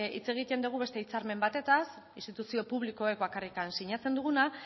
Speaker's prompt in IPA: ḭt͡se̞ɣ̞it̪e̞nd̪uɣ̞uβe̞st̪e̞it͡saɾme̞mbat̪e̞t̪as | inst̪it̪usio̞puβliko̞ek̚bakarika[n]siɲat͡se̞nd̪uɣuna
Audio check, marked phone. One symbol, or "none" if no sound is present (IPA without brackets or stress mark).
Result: n